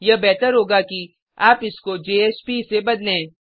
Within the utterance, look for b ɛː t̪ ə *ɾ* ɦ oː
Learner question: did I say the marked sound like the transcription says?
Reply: yes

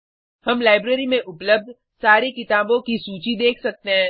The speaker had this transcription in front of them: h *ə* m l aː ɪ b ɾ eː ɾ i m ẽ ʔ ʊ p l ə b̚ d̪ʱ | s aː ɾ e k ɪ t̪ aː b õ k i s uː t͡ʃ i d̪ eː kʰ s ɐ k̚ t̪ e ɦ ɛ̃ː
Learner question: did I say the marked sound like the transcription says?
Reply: no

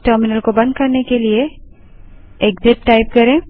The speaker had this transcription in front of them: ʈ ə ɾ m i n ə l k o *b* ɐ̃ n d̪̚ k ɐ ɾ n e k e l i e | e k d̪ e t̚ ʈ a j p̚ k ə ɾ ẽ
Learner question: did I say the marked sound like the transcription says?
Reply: yes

